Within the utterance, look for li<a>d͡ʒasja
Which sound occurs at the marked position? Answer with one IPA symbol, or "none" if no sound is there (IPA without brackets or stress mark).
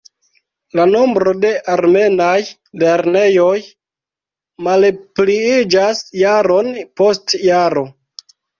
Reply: i